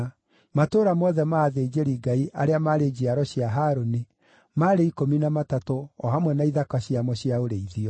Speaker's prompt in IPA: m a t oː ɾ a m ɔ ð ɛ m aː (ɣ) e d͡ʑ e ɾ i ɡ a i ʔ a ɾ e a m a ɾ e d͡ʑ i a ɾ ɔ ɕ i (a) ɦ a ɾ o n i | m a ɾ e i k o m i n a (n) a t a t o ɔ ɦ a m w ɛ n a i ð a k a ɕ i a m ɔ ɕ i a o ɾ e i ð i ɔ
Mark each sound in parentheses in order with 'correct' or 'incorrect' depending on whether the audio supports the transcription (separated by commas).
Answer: incorrect, correct, incorrect